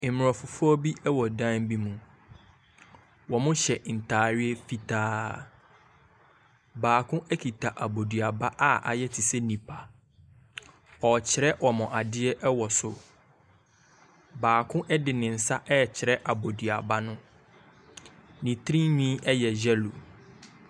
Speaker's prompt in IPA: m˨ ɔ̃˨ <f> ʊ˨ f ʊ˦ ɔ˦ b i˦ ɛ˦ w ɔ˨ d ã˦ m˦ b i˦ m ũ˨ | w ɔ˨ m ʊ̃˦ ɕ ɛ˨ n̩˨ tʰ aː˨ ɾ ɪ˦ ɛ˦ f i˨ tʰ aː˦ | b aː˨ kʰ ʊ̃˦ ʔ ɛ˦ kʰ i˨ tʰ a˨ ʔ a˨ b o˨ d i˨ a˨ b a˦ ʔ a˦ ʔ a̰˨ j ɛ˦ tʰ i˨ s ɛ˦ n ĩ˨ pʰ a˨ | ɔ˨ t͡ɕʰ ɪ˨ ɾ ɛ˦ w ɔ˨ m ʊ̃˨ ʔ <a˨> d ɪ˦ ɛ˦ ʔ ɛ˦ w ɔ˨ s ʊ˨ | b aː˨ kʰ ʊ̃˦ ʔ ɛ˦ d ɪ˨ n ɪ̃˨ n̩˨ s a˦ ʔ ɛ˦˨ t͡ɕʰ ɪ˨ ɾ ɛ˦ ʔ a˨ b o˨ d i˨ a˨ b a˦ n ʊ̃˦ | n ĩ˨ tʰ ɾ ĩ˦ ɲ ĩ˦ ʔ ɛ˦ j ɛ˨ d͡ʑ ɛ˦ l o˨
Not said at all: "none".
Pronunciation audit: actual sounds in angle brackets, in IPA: f, a˨

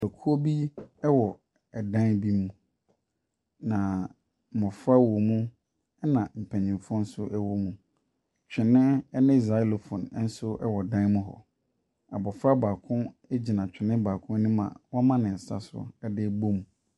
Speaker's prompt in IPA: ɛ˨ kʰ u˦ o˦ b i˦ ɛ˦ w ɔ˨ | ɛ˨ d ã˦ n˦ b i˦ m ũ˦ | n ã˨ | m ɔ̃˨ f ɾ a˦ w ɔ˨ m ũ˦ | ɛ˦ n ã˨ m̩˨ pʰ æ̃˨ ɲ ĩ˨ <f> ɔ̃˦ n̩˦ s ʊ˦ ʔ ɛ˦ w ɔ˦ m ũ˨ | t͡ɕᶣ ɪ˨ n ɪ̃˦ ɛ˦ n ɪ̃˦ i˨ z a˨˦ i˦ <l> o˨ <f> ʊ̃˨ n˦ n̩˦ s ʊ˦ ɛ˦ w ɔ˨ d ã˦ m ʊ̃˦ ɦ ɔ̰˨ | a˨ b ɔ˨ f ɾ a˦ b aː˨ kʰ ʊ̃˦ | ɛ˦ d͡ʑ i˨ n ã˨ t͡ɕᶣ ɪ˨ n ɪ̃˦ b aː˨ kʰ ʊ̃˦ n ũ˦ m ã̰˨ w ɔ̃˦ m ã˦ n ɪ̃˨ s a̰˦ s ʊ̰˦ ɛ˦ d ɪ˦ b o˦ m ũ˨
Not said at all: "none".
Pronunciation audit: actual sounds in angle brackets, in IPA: f, l, f

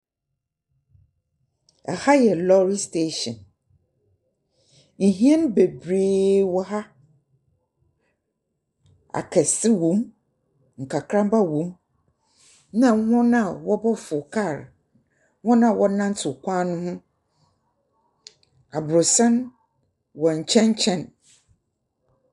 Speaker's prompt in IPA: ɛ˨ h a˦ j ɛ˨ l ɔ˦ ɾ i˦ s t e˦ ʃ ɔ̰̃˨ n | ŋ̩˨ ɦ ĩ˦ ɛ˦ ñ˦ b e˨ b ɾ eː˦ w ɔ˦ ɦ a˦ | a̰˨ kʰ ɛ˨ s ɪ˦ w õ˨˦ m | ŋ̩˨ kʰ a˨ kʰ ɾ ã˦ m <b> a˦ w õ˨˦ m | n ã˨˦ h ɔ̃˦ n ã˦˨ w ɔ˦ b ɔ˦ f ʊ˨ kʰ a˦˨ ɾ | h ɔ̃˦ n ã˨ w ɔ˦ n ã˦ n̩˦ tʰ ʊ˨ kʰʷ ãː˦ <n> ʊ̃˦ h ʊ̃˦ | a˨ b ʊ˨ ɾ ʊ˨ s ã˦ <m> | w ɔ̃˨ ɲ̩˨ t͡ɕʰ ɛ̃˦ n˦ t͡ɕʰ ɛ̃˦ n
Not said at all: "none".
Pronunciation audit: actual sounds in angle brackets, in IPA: b, n, n

